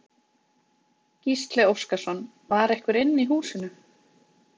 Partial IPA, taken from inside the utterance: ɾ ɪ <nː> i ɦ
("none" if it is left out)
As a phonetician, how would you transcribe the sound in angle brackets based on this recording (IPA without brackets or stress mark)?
nː